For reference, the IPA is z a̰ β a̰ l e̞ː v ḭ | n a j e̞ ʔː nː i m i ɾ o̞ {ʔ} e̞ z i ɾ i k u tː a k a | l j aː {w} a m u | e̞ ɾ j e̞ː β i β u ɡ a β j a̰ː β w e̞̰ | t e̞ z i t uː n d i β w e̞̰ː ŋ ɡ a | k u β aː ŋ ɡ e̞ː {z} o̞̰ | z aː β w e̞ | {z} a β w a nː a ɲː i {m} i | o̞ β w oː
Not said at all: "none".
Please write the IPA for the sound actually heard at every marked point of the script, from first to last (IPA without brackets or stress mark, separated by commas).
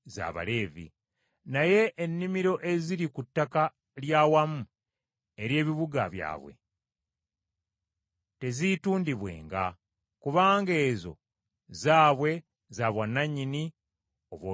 ʔ, w, z, z, n